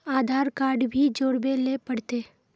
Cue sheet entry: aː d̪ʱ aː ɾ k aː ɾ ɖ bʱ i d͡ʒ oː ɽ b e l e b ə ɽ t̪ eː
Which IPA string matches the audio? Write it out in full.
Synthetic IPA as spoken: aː d̪ʱ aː ɾ k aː ɾ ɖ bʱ i d͡ʒ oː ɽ b e l e p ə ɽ t̪ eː